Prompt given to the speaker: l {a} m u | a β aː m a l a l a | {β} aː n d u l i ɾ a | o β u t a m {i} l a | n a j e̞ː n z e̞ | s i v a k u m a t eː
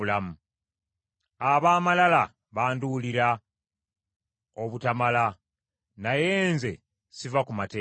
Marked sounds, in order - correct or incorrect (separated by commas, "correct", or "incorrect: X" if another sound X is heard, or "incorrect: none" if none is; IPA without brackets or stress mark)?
correct, correct, incorrect: a